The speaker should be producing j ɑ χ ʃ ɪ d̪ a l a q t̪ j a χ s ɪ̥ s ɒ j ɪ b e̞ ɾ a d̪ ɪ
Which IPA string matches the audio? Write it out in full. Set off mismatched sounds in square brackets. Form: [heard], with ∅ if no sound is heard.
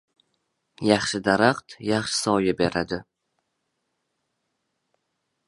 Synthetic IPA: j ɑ χ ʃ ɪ d̪ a [ɾ] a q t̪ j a χ [ʃ] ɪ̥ s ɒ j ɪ b e̞ ɾ a d̪ ɪ